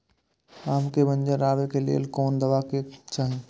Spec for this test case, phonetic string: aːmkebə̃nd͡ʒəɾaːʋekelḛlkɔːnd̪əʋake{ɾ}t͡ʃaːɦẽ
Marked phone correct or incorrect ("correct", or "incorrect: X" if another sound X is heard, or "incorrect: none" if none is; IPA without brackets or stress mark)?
incorrect: none